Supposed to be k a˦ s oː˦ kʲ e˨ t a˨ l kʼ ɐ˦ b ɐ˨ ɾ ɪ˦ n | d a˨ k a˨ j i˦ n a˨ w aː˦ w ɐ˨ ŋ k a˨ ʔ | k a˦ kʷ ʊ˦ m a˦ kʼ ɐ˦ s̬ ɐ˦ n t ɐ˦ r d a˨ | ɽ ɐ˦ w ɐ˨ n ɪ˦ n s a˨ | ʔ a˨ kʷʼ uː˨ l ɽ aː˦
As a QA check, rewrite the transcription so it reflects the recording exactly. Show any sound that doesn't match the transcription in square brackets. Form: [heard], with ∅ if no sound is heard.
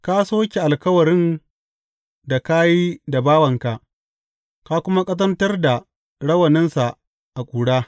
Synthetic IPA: k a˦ s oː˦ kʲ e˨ [ʔ] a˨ l [k] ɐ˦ [w] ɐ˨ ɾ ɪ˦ n | d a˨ k [a˦] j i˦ [d] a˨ [b] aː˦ w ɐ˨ ŋ k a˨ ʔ | k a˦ kʷ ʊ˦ m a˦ kʼ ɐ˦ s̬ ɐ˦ n t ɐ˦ r d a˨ | ɽ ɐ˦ w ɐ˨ n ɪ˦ n s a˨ | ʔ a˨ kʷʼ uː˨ [∅] ɽ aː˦